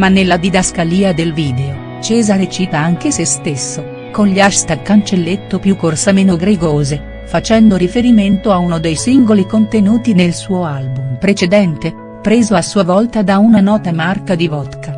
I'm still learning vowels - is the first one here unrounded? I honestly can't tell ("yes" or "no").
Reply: yes